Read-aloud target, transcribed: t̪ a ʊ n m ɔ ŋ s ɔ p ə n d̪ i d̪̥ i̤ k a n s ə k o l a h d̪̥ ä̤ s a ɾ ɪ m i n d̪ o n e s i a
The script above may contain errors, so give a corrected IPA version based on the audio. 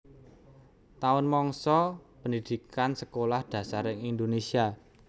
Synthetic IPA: t̪ a ʊ n m ɔ ŋ s ɔ p ə n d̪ i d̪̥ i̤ k a n s ə k o l a h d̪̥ ä̤ s a ɾ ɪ ŋ i n d̪ o n e s i a